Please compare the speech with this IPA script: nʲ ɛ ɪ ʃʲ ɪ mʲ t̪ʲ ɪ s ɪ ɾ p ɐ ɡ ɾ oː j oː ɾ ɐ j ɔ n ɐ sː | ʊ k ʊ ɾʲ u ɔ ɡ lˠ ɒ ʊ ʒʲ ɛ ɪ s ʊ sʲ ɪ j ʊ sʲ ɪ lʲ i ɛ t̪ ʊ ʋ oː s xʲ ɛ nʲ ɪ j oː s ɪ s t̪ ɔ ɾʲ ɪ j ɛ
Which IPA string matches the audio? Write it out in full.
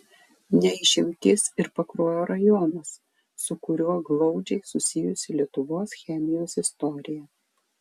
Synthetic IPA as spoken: nʲ ɛ ɪ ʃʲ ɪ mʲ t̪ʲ ɪ s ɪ ɾ p ɐ k ɾ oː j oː ɾ ɐ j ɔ n ɐ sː | ʊ k ʊ ɾʲ u ɔ ɡ lˠ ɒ ʊ d͡ʒʲ ɛ ɪ s ʊ sʲ ɪ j ʊ sʲ ɪ lʲ i ɛ t̪ ʊ ʋ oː s xʲ ɛ mʲ ɪ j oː s ɪ s t̪ ɔ ɾʲ ɪ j ɛ